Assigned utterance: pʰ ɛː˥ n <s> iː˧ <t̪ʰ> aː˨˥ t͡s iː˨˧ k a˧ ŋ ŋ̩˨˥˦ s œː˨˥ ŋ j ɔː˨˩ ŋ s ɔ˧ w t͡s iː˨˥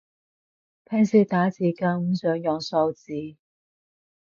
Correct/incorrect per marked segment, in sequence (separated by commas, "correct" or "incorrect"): correct, incorrect